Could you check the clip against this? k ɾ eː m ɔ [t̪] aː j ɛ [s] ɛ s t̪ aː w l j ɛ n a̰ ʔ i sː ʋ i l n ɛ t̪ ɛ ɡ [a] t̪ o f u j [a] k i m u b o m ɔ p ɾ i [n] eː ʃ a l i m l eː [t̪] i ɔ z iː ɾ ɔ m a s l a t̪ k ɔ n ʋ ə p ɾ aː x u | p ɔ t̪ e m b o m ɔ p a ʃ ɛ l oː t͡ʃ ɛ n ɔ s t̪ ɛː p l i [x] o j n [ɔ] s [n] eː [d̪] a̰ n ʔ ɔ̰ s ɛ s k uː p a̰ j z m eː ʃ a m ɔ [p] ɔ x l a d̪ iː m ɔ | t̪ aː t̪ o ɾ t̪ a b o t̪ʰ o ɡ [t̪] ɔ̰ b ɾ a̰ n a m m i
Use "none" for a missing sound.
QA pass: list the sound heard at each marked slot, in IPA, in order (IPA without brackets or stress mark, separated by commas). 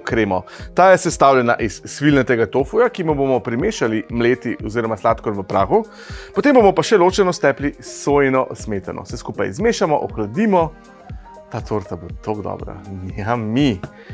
t̪, s, a, a, m, t̪, s, ɔ, m, t̪, ʔ, d̪